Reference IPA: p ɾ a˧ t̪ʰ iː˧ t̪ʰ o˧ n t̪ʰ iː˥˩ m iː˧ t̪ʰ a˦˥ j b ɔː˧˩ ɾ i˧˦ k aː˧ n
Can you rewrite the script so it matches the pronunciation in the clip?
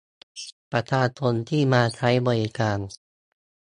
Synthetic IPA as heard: p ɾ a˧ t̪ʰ aː˧ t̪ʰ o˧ n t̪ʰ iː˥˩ m aː˧ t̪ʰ a˦˥ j b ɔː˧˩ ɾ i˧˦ k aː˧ n